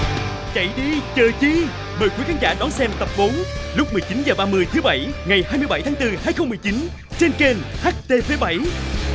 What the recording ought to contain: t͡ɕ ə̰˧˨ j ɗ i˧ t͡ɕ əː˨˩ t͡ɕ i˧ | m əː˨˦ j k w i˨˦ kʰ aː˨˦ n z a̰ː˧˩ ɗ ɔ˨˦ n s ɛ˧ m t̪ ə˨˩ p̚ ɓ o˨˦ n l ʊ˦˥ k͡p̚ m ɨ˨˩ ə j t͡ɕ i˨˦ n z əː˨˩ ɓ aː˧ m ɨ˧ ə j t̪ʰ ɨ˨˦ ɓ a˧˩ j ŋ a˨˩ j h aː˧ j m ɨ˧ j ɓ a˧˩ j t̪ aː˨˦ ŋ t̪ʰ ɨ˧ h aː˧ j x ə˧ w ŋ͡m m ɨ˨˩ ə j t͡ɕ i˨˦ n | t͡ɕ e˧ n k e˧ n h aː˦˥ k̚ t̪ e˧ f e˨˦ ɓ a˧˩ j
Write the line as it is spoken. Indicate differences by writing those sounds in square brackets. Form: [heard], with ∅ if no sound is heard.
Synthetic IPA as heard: t͡ɕ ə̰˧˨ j ɗ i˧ t͡ɕ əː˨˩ t͡ɕ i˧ | m [əː˨˩] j k w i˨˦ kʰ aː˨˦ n z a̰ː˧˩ ɗ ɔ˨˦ n s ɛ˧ m t̪ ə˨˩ p̚ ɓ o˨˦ n l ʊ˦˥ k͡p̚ m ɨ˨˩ ə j t͡ɕ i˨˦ n z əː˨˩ ɓ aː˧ m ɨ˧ ə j t̪ʰ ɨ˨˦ ɓ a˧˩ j ŋ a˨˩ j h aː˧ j m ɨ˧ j ɓ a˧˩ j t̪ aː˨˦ ŋ [t̪] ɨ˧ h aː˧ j x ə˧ w ŋ͡m m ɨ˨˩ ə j t͡ɕ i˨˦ n | t͡ɕ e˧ n k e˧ n h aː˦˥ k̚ t̪ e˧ f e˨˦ ɓ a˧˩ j